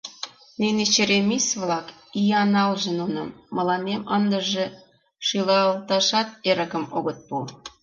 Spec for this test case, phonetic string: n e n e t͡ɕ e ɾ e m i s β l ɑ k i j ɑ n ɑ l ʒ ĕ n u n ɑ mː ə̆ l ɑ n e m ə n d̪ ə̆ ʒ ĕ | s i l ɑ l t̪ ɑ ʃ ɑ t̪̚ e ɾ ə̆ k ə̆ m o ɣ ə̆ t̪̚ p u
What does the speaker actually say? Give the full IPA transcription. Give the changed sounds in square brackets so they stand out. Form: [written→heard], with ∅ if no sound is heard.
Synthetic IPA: n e n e t͡ɕ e ɾ e m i s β l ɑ k i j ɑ n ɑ l ʒ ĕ n u n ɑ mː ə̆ l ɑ n e m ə n d̪ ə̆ ʒ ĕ | [s→ʃ] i l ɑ l t̪ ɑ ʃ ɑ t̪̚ e ɾ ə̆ k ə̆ m o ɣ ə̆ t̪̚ p u